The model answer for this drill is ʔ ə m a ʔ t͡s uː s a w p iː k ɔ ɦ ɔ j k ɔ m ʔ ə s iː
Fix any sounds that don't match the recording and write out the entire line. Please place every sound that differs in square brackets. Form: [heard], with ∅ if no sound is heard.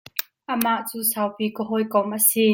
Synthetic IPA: ʔ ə m a ʔ t͡s uː s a w p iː k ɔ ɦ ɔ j k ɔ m ʔ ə s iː